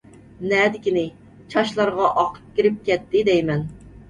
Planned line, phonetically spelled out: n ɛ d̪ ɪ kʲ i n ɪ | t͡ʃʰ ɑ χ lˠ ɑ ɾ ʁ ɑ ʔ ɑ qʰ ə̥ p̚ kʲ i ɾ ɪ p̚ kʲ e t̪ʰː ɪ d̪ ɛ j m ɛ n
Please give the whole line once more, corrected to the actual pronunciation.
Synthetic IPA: n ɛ d̪ ɪ kʲ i n ɪ | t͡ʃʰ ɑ ʃ lˠ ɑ ɾ ʁ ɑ ʔ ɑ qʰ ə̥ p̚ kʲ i ɾ ɪ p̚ kʲ ɛ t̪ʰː ɪ d̪ ɛ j m ɛ n